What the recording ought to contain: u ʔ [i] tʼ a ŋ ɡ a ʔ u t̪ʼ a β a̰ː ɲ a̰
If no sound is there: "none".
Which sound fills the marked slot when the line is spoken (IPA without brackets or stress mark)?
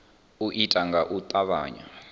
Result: i